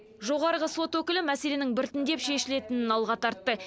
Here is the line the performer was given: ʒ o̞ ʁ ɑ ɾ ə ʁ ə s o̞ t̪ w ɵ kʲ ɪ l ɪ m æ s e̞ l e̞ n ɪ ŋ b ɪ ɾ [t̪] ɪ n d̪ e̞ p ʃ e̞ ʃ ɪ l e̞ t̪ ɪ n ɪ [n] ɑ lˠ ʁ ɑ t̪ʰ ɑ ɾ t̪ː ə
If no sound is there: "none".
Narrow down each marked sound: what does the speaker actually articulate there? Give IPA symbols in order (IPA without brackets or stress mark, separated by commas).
t̪, n